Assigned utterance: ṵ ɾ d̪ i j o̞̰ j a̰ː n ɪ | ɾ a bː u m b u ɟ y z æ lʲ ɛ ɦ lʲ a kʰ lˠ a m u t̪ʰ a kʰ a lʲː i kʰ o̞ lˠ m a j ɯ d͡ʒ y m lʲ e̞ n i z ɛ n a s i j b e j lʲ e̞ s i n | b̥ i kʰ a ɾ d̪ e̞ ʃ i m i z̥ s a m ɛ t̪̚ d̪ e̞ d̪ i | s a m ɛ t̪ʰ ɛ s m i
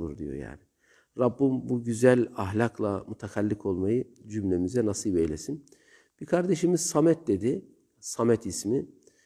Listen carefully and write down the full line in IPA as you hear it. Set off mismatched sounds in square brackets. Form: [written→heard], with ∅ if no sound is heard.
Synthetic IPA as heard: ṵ ɾ d̪ i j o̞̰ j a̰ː n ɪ | ɾ a bː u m b u ɟ y z æ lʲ [ɛ→a] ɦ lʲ a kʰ lˠ a m u t̪ʰ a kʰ a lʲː i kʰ o̞ lˠ m a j ɯ d͡ʒ y m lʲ e̞ [n→m] i z ɛ n a s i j b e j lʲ e̞ s i n | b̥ i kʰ a ɾ d̪ e̞ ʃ i m i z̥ s a m ɛ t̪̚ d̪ e̞ d̪ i | s a m ɛ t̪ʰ [ɛ→i] s m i